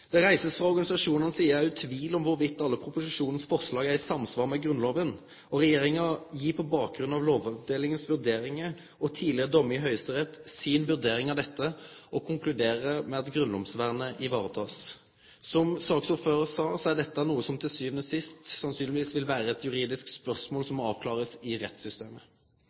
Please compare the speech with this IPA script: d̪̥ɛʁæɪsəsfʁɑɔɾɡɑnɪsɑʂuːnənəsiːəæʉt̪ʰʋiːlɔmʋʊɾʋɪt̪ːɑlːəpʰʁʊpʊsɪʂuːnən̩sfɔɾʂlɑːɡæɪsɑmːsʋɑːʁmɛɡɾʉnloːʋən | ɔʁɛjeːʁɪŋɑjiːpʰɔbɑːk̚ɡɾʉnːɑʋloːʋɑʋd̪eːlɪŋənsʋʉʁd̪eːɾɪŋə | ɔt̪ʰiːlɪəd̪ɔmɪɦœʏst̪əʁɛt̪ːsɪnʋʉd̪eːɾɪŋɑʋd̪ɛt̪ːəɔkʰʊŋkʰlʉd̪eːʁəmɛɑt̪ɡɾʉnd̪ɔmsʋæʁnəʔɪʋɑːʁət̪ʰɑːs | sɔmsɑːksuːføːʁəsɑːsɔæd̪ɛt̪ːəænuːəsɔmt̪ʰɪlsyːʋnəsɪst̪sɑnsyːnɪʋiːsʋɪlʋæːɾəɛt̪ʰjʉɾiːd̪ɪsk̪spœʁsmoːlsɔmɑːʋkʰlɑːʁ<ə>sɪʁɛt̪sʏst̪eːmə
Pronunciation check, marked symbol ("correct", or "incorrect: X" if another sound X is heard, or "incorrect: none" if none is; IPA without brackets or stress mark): correct